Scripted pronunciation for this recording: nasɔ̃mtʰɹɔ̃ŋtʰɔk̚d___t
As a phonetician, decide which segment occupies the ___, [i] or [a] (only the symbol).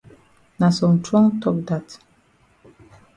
a